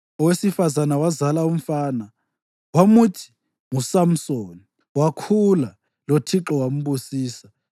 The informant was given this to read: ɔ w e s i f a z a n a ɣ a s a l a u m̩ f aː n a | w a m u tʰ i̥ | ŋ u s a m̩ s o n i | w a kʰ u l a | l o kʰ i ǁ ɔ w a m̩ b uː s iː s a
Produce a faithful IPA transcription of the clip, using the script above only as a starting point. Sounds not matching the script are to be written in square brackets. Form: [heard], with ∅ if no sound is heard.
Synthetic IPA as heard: ɔ w e s i f a z a n a [w] a [z] a l a u m̩ f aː n a | w a m u tʰ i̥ | ŋ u s a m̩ s o n i | w a kʰ u l a | l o [tʰ] i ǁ ɔ w a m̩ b [u] s iː s a